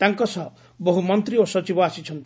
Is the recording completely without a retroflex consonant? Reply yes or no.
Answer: yes